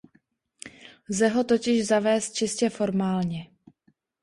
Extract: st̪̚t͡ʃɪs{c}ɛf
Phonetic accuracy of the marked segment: correct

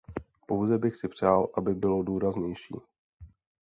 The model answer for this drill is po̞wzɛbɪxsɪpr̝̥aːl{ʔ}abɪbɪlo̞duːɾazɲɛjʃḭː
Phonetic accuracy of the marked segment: correct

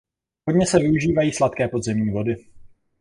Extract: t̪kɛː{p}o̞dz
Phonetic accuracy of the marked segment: correct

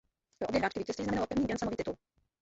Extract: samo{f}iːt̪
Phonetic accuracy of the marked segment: incorrect: v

